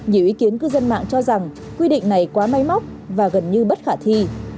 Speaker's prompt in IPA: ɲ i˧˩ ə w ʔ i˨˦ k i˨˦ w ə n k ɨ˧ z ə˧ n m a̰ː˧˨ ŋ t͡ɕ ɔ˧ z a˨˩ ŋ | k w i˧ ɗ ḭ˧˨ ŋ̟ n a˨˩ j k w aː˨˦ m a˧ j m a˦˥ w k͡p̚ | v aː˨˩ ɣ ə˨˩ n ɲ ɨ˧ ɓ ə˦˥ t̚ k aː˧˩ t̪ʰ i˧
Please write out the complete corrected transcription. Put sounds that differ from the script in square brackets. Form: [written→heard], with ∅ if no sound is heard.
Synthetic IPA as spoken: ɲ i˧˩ ə w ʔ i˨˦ k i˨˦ [w→∅] ə n k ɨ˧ z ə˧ n m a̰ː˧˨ ŋ t͡ɕ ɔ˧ z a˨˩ ŋ | k w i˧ ɗ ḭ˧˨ ŋ̟ n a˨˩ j k w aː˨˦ m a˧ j m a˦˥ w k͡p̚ | v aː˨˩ ɣ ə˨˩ n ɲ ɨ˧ ɓ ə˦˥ t̚ [k→x] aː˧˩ t̪ʰ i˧